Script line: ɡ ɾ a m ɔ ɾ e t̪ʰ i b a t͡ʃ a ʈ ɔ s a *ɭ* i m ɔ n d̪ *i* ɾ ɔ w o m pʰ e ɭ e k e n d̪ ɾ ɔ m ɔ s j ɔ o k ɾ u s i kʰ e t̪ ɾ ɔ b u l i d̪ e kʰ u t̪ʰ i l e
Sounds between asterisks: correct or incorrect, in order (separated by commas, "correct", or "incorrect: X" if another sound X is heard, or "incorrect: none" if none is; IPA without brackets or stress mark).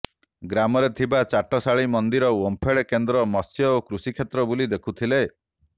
correct, correct